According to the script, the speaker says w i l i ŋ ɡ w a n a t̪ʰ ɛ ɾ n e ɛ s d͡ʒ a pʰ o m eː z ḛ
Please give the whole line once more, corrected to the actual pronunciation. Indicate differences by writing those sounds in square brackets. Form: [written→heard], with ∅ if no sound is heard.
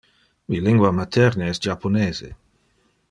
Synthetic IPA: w i l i ŋ ɡ w a [n→m] a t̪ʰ ɛ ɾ n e ɛ s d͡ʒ a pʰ o [m→n] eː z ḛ